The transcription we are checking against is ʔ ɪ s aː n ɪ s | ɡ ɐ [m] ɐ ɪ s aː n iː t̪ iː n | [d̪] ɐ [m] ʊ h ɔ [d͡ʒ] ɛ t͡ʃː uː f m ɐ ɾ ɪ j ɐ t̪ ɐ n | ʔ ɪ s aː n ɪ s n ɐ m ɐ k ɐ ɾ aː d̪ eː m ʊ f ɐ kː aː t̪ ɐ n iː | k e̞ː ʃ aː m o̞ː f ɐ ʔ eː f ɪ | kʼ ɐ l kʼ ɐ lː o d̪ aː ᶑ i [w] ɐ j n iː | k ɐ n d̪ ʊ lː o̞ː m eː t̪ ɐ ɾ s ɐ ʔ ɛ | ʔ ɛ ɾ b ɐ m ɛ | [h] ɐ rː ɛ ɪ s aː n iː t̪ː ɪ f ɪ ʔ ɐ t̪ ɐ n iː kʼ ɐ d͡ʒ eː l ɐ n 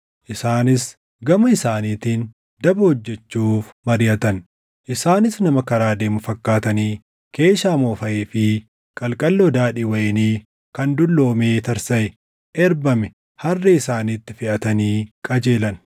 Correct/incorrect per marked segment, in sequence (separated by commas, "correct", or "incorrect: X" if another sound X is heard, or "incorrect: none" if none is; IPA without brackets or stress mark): correct, correct, incorrect: b, incorrect: d͡ʒː, correct, correct